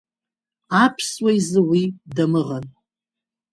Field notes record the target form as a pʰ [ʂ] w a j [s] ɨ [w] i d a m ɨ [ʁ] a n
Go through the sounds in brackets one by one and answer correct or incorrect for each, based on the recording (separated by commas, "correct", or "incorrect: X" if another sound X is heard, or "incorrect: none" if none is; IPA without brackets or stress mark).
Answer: incorrect: s, incorrect: z, correct, correct